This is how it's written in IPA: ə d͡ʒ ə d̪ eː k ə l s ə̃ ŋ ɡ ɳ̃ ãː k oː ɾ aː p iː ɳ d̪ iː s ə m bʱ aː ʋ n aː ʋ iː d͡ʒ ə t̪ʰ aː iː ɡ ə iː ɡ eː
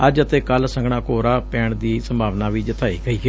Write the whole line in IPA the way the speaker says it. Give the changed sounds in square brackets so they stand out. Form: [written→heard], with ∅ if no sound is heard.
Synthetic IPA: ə d͡ʒ ə [d̪→t̪] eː k ə l s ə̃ ŋ ɡ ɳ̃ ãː k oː ɾ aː p [iː→ɛː] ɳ d̪ iː s ə m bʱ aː ʋ n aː ʋ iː d͡ʒ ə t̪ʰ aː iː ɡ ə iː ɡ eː